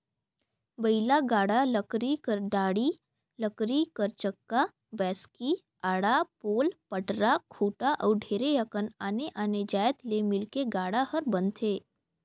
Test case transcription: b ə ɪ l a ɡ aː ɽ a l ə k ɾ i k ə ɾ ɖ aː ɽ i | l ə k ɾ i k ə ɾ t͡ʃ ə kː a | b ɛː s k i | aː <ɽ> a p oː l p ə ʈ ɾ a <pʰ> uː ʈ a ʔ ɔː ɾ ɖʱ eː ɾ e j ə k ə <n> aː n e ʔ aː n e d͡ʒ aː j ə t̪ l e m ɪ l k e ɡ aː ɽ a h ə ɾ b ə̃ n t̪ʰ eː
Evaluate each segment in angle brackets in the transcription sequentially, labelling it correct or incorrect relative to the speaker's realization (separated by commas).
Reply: correct, incorrect, correct